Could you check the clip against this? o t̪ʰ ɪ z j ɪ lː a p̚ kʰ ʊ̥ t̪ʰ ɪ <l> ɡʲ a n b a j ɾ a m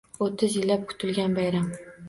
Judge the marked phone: correct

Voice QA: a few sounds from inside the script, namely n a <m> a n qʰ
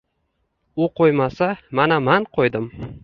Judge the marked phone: correct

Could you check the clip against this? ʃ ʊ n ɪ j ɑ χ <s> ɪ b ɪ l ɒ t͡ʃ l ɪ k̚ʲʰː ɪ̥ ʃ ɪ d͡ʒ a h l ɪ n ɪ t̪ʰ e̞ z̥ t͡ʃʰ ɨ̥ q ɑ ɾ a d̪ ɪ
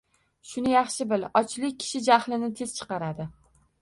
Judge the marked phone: incorrect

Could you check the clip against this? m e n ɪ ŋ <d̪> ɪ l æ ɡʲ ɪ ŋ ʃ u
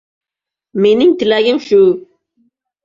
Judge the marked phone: incorrect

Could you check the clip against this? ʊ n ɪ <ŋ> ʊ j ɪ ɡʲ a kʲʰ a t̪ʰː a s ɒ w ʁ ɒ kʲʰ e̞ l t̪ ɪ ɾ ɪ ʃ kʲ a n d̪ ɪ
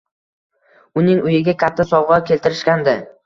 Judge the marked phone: correct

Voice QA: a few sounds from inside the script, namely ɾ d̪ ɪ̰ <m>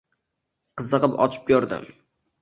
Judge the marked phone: correct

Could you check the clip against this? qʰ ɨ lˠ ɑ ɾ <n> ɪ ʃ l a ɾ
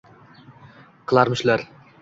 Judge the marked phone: incorrect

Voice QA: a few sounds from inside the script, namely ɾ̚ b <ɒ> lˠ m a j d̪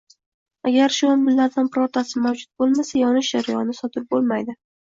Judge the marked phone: incorrect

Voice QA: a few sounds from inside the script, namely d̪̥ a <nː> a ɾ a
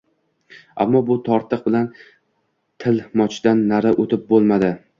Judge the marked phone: correct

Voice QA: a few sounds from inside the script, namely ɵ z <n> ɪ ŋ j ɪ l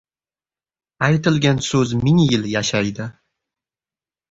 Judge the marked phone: incorrect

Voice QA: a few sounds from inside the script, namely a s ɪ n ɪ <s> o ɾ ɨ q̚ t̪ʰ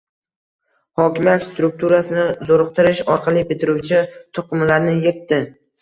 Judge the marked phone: incorrect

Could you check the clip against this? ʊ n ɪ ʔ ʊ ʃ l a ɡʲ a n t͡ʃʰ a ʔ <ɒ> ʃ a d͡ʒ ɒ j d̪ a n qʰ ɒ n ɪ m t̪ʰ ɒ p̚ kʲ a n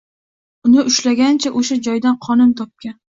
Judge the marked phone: incorrect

